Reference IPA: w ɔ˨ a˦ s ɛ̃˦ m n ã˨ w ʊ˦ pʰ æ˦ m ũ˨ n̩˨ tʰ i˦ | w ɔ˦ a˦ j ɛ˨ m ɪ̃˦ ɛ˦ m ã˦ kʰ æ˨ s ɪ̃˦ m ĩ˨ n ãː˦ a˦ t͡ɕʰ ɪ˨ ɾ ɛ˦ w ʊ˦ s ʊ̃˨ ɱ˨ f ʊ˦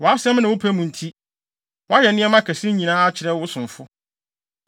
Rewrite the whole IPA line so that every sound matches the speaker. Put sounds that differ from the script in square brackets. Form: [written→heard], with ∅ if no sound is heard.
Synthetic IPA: w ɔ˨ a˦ s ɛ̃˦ m n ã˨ w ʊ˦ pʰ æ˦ m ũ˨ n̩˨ tʰ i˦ | w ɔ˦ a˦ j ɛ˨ [m→n] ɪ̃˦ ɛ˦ m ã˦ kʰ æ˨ s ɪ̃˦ [m→ɲ] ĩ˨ n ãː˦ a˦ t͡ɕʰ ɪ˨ ɾ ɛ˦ w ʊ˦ s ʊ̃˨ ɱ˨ f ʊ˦